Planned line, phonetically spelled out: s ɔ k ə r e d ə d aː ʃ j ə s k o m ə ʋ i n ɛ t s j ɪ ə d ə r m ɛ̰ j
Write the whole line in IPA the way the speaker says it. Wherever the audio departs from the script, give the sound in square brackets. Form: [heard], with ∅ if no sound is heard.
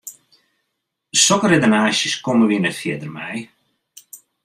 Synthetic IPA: s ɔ k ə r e d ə [n] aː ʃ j ə s k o m ə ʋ i n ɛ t [f] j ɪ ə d ə r m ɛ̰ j